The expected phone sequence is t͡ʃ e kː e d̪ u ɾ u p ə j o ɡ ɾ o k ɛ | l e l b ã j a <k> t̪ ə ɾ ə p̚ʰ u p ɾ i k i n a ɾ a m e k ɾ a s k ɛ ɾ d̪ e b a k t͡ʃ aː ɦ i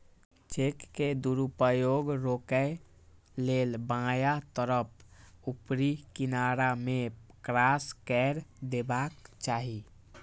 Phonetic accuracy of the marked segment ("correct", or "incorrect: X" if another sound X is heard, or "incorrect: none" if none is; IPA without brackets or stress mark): incorrect: none